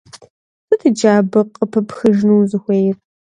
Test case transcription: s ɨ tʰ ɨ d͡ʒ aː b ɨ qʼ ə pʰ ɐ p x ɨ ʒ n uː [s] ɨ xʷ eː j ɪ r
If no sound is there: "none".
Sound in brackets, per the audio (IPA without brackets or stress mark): z